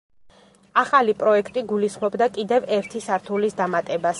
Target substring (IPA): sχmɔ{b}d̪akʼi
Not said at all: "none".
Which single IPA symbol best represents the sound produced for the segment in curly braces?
b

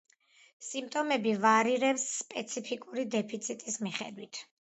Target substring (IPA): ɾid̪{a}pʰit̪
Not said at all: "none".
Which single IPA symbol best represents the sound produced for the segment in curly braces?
ɛ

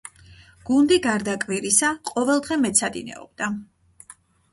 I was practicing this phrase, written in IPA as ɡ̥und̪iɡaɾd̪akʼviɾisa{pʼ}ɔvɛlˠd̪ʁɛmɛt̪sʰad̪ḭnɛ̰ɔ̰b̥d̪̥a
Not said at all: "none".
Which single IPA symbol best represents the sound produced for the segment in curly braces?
qʼ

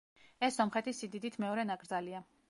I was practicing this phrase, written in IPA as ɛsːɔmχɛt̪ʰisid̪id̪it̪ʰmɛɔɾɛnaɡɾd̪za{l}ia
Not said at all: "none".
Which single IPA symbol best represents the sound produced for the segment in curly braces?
l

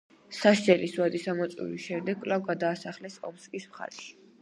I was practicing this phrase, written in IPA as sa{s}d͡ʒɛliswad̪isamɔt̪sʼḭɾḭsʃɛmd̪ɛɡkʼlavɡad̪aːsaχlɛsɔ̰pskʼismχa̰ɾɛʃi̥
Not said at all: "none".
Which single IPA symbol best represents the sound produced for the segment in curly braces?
ʃ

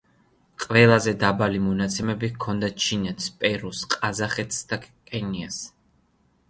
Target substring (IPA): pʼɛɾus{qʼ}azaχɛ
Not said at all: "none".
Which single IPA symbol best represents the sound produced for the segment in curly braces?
qʼ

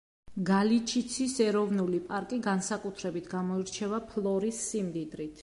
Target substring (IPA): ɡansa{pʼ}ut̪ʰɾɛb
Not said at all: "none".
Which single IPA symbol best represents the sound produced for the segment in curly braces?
kʼ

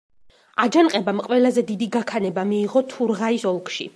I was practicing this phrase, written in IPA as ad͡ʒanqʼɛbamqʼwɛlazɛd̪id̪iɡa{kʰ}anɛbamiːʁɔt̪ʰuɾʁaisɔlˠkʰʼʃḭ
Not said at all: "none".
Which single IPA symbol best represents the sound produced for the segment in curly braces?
kʰ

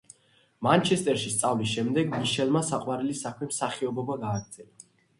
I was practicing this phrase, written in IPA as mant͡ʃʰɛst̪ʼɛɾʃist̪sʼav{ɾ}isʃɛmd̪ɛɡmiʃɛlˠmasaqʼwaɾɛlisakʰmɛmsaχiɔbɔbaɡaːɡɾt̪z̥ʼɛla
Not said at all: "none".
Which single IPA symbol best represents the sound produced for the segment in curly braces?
l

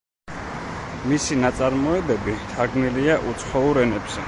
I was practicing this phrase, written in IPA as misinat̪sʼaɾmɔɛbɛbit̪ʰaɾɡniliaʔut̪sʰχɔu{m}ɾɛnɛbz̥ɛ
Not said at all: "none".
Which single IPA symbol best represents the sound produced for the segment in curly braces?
none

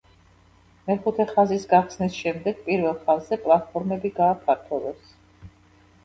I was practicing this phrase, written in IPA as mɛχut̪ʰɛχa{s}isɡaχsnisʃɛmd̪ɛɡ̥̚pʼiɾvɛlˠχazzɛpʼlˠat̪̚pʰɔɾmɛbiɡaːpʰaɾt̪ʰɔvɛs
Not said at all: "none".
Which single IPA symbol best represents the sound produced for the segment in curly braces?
z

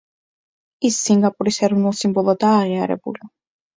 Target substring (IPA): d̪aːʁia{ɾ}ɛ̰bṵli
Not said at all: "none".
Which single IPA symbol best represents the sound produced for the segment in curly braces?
ɾ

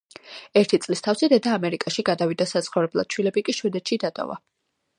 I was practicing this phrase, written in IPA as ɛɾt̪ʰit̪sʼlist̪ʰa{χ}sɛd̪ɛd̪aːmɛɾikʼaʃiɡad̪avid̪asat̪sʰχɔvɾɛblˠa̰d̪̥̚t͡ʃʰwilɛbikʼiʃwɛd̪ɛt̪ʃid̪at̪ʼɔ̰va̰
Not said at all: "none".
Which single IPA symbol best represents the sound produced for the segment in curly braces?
f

